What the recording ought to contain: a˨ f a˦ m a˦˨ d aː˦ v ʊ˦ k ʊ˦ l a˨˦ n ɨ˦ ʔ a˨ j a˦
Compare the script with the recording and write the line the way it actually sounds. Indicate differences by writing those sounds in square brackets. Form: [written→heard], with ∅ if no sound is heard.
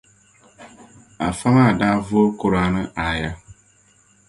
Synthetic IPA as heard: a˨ f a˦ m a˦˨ d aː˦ v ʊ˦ k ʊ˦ [l→ɾ] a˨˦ n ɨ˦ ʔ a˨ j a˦